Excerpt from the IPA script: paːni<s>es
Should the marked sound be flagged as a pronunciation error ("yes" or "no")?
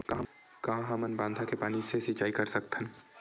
no